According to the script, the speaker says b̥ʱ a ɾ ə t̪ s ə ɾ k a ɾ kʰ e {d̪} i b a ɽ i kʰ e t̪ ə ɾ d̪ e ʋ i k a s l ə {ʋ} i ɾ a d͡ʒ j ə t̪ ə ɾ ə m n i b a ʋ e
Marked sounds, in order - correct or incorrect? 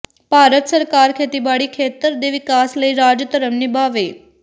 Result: incorrect, incorrect

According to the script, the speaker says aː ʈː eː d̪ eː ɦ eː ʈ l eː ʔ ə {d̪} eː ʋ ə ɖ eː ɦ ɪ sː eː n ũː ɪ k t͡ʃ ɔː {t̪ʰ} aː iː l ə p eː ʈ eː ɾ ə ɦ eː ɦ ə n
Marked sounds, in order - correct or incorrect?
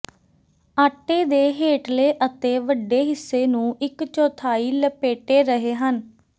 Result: incorrect, correct

